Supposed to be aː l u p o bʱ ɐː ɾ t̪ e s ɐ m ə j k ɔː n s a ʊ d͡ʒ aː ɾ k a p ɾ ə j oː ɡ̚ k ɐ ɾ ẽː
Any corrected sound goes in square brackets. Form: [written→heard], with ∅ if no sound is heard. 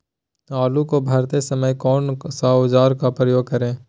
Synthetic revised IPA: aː l u [p→k] o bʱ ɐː ɾ t̪ e s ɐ m ə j k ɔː n s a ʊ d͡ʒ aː ɾ k a p ɾ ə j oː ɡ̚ k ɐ ɾ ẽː